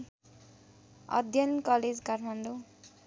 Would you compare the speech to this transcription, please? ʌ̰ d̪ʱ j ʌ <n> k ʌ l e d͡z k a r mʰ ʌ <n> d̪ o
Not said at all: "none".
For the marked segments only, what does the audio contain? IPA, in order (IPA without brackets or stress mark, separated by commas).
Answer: n, n